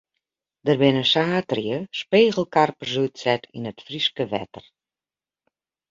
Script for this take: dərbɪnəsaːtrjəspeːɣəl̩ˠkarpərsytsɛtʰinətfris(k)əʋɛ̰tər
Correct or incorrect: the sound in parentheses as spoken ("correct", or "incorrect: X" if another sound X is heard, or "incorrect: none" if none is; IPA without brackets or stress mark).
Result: correct